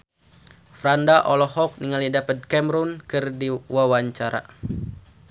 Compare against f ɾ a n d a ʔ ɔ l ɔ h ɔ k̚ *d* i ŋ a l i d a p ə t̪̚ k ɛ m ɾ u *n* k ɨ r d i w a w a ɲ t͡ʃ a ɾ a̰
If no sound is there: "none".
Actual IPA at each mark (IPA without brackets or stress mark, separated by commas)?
n, n